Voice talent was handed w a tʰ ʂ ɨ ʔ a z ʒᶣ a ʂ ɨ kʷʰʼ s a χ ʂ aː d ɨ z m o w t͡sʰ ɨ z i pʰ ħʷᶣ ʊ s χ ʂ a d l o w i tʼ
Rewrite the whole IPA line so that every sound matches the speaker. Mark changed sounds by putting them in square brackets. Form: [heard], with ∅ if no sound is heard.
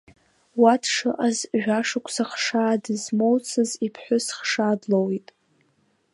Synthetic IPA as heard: w a tʰ ʂ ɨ ʔ a z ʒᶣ a ʂ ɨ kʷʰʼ s a χ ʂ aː d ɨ z m o w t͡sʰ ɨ z i pʰ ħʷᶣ ʊ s χ ʂ a d l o w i tʼ